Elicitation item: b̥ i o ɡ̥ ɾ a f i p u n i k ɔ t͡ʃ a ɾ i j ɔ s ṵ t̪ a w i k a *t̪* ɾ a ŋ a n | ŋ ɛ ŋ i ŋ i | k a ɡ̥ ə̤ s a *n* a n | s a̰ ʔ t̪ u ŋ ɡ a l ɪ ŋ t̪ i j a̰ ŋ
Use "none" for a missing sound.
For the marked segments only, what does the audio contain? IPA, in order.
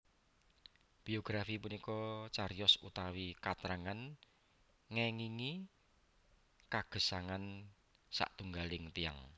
t̪, ŋ

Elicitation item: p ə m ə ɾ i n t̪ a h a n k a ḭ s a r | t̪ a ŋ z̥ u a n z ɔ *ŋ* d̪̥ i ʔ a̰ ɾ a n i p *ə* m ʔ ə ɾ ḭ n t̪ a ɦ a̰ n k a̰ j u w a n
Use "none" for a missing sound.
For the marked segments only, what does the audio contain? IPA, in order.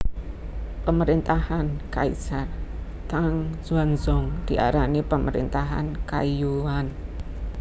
ŋ, ə

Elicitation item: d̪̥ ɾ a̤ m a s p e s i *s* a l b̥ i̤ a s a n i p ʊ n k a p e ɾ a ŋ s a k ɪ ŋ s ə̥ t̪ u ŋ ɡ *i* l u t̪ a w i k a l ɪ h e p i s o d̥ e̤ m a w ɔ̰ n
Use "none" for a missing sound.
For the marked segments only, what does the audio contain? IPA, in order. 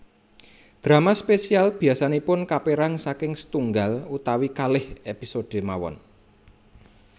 none, a

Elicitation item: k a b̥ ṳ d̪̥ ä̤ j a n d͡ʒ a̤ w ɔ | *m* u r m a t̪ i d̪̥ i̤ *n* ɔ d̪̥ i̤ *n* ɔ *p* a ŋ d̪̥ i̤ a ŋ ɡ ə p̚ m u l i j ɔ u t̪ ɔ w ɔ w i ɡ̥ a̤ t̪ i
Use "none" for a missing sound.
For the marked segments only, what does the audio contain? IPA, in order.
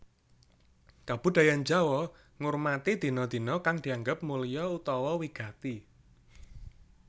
ŋ, n, n, k

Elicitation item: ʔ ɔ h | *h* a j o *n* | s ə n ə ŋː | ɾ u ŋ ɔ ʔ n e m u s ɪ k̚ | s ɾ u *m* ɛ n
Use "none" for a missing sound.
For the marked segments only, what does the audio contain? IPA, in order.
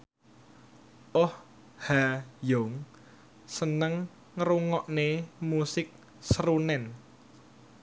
h, ŋ, n

